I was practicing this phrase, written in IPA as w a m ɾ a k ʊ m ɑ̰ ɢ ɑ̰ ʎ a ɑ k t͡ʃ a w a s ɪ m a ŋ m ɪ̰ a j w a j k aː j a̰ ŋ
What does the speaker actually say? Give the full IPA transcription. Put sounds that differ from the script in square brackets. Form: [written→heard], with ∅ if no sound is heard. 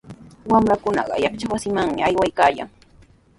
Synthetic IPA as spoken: w a m ɾ a k ʊ [m→n] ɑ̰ ɢ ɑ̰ [ʎ→j] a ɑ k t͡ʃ a w a s ɪ m a ŋ m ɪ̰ a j w a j k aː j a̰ ŋ